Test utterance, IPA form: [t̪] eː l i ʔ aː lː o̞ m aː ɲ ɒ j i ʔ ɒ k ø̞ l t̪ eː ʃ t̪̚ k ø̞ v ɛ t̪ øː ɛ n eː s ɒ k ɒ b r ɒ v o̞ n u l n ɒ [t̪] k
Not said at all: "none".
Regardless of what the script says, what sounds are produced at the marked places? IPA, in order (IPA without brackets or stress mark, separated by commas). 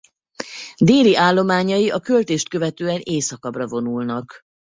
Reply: d̪, none